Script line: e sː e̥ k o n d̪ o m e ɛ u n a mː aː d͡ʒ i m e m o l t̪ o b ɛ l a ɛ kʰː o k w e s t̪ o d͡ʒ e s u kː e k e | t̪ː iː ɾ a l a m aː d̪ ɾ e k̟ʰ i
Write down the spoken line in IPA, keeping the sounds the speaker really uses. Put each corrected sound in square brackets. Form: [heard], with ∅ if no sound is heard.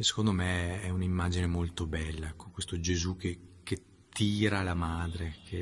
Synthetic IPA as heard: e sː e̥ k o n d̪ o m e ɛ u n [i] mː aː d͡ʒ i [n] e m o l t̪ o b ɛ [lː] a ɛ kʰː o k w e s t̪ o d͡ʒ e [z] u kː e k e | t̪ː iː ɾ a l a m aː d̪ ɾ e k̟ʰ [e]